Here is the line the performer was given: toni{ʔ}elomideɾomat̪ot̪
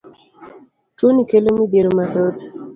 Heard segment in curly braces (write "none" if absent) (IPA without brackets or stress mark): k